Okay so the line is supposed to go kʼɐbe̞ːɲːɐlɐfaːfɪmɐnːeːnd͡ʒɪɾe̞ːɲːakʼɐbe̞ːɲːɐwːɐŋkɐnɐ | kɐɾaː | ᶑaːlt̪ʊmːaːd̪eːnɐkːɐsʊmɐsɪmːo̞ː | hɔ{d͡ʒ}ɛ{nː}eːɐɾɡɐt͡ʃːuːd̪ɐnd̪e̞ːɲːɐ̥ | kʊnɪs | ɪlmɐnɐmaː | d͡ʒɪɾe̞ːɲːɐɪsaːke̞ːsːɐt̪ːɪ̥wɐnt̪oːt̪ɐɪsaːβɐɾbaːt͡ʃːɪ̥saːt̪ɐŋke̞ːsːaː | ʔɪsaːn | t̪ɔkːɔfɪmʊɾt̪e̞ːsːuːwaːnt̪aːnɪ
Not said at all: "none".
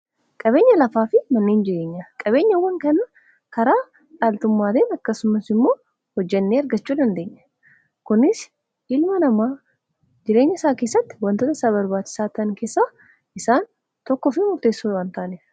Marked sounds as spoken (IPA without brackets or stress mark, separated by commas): d͡ʒː, nː